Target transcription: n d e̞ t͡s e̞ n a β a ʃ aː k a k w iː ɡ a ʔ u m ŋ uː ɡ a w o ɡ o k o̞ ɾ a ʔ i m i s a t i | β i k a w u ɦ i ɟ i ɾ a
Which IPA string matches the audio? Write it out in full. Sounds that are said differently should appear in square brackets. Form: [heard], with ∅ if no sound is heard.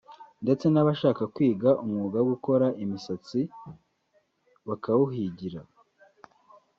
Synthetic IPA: n d e̞ t͡s e̞ n a β a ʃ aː k a k w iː ɡ a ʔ u m ŋ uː ɡ a w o ɡ [u] k o̞ ɾ a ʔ i m i s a [t͡s] i | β [a] k a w u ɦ i ɟ i ɾ a